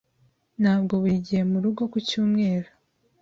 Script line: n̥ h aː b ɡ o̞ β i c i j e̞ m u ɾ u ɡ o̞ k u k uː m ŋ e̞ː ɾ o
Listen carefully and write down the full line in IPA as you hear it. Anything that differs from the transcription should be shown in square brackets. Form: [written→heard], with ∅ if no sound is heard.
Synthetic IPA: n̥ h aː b ɡ o̞ β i [c→ɟ] i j e̞ m u ɾ u ɡ o̞ k u [k→c] uː m ŋ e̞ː ɾ o